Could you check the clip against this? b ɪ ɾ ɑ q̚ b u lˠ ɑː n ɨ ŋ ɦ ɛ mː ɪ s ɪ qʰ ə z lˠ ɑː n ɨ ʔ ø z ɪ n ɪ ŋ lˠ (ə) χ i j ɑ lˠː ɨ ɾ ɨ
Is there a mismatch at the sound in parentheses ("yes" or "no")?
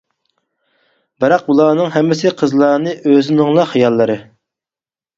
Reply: yes